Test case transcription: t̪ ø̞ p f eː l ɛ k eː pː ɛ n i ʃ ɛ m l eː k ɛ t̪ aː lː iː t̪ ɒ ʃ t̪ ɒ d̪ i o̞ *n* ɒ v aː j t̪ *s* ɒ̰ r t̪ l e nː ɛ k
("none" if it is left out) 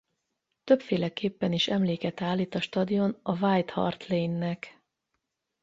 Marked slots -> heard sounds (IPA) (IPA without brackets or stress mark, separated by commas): n, h